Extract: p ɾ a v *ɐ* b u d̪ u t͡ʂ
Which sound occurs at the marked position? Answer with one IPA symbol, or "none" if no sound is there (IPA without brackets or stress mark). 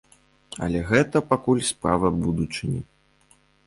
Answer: ɐ